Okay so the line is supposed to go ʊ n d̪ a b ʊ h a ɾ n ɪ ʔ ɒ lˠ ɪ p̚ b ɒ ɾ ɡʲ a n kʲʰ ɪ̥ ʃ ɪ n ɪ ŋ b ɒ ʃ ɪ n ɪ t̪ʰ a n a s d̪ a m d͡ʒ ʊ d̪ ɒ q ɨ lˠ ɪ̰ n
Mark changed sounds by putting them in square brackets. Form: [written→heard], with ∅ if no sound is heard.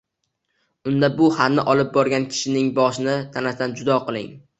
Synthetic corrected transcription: ʊ n d̪ a b ʊ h a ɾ n ɪ ʔ ɒ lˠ ɪ p̚ b ɒ ɾ ɡʲ a n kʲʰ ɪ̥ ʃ ɪ n ɪ ŋ b ɒ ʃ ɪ n ɪ t̪ʰ a n a s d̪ a [m→n] d͡ʒ ʊ d̪ ɒ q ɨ lˠ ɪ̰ [n→ŋ]